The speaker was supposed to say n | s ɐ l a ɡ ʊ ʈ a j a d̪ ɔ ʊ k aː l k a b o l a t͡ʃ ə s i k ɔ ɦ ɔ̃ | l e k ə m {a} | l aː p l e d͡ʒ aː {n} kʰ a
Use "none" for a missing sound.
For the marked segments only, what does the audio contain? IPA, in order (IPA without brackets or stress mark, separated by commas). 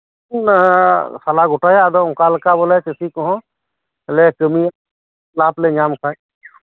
i, m